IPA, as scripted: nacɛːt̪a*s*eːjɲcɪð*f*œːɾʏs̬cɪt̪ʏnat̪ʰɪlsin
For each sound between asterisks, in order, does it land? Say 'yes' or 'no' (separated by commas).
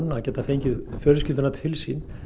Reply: no, yes